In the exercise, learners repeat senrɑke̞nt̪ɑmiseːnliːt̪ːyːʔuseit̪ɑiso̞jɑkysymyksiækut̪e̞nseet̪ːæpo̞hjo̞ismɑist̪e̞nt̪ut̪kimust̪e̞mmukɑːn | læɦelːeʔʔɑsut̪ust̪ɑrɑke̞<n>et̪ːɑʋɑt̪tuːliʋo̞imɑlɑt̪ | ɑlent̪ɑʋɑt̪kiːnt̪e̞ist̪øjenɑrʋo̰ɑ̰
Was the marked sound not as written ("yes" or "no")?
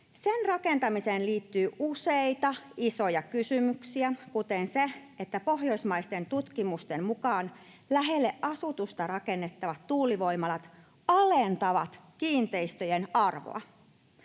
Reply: yes